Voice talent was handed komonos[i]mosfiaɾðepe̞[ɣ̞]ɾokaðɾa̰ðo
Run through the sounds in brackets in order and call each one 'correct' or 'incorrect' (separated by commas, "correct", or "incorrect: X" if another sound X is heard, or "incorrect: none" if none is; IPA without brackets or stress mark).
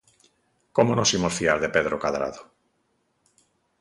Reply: correct, incorrect: ð̞